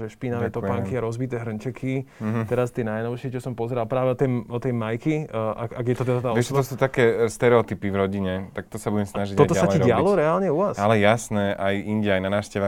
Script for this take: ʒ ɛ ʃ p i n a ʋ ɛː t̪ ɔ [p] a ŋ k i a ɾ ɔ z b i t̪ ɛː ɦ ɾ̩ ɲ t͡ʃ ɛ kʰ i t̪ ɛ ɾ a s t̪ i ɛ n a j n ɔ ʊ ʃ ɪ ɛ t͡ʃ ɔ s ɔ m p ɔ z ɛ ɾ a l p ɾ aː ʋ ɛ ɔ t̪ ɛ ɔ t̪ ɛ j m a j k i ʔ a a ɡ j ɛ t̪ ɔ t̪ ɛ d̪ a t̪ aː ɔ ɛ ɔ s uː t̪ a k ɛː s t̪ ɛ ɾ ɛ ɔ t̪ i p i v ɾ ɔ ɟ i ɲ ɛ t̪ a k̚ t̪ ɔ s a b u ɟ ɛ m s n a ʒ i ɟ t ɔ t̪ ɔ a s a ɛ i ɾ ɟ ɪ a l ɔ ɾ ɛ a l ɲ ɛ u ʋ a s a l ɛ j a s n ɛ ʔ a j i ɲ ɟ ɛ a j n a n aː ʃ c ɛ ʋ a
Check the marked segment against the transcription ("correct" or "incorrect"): correct